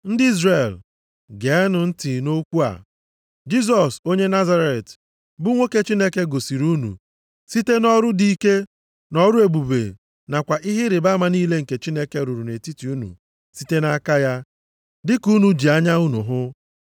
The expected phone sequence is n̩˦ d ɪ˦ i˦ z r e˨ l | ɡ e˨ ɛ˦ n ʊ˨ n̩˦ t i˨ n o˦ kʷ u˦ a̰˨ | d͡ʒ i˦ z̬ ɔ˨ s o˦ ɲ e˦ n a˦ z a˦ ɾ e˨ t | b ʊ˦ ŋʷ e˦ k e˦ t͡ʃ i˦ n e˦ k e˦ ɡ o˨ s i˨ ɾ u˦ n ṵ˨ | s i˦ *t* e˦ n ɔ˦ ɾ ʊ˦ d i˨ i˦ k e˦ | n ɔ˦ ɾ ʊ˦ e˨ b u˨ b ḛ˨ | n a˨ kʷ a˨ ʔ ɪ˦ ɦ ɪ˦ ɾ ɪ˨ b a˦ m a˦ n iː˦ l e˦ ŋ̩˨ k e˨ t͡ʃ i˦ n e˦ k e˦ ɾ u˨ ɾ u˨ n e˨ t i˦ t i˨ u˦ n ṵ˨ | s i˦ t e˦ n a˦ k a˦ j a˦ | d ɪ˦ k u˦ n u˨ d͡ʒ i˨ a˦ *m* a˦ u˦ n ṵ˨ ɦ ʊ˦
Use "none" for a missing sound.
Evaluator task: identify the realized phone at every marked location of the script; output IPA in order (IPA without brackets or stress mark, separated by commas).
t, ɲ